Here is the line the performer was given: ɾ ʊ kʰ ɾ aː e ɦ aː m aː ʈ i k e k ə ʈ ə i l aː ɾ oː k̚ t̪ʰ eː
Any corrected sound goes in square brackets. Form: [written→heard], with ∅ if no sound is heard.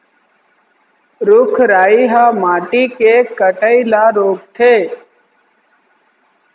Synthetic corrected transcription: ɾ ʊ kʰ ɾ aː [e→i] ɦ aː m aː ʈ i k e k ə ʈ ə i l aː ɾ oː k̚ t̪ʰ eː